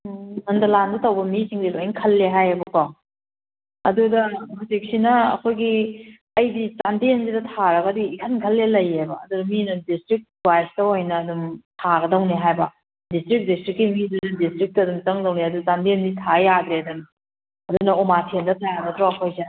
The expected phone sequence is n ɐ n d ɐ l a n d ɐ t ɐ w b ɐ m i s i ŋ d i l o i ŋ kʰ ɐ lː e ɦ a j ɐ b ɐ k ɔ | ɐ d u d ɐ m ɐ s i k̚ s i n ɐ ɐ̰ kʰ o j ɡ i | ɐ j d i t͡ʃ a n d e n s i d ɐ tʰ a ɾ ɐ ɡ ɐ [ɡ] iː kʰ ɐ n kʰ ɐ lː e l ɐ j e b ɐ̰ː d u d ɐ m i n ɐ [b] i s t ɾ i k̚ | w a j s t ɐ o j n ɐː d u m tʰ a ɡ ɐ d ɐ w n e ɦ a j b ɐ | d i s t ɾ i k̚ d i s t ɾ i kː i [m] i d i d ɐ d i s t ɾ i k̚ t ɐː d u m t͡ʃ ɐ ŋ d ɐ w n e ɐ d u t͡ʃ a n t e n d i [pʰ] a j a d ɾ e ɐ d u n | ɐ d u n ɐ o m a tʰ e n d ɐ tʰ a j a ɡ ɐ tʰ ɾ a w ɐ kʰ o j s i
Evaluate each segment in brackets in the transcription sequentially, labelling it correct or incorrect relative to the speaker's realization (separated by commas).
incorrect, incorrect, correct, incorrect